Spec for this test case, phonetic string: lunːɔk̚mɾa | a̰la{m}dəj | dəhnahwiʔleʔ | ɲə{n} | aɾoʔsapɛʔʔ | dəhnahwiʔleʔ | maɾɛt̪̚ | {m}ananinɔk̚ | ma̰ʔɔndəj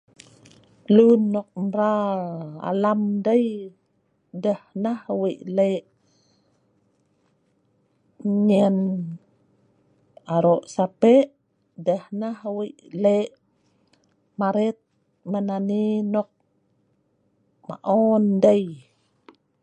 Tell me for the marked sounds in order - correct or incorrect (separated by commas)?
correct, correct, correct